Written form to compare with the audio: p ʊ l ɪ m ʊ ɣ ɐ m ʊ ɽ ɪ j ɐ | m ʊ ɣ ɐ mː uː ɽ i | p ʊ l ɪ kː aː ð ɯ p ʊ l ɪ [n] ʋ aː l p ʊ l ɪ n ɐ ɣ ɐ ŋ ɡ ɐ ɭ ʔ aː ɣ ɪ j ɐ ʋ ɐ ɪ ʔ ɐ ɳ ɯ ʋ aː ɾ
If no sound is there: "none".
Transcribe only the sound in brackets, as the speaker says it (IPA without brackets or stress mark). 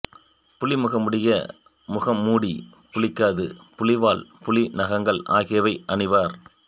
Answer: none